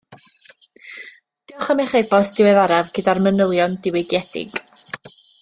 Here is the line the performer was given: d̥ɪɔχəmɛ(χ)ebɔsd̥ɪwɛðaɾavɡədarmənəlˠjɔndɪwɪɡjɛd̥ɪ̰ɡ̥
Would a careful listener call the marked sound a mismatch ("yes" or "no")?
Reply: no